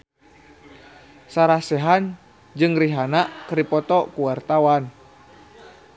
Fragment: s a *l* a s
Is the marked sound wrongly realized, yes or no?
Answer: yes